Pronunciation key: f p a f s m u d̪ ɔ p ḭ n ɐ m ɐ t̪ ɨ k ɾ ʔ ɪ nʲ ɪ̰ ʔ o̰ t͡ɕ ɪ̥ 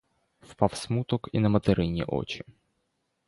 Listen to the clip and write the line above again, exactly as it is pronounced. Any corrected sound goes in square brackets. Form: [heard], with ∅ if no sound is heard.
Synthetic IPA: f p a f s m u [t̪] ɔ [k] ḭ n ɐ m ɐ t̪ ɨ [∅] ɾ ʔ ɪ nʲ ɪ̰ ʔ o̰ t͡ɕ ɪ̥